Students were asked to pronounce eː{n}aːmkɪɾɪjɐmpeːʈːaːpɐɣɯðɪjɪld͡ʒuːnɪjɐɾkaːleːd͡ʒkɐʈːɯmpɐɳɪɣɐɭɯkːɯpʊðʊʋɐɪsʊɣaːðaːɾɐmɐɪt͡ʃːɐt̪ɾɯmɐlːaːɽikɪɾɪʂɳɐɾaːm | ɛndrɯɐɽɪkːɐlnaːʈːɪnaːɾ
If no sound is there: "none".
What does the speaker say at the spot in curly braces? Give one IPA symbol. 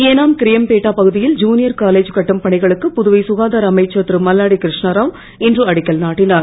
n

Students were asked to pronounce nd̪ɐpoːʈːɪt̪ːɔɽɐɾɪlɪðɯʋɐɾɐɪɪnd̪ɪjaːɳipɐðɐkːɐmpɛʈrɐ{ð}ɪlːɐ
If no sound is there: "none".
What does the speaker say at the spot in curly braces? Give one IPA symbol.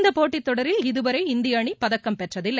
ð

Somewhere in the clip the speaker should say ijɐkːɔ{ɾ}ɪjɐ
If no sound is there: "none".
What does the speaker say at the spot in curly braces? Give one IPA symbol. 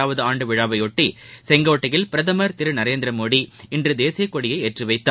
ɽ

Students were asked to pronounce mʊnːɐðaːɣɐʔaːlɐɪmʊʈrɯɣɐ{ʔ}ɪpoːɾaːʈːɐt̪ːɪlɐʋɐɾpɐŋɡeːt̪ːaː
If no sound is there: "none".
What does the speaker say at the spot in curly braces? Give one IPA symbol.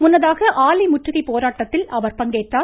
none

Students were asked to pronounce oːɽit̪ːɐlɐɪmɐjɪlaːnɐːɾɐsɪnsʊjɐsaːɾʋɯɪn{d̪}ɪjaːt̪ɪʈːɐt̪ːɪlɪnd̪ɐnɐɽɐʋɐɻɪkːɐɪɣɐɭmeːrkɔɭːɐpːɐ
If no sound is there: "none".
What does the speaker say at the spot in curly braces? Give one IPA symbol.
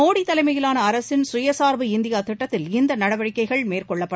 d̪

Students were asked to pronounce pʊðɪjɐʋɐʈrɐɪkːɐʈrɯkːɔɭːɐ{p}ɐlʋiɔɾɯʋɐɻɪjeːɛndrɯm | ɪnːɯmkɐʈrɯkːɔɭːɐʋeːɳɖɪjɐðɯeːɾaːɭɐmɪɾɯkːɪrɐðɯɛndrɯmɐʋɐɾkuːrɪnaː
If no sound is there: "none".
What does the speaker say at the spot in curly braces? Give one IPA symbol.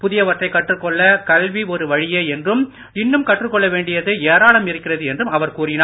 k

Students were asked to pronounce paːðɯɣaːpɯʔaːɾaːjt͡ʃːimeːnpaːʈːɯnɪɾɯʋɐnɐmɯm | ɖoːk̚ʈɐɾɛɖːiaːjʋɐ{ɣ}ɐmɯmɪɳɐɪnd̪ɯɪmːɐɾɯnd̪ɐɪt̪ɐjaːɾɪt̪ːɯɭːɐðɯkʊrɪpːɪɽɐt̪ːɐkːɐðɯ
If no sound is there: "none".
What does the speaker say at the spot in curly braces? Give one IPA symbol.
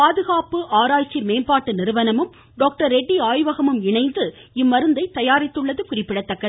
ɣ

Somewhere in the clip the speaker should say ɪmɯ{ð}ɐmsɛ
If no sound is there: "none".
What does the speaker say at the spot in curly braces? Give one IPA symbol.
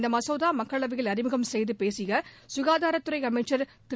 ɣ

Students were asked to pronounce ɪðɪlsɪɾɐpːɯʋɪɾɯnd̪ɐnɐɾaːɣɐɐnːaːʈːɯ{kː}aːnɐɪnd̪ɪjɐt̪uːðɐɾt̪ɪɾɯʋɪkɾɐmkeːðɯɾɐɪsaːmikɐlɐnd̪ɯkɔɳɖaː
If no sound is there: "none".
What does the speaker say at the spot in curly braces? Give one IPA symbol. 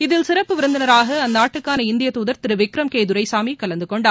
kː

